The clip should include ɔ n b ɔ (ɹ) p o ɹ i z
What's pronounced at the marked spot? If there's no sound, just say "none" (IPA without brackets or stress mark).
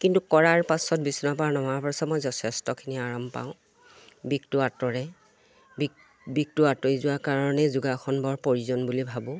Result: ɹ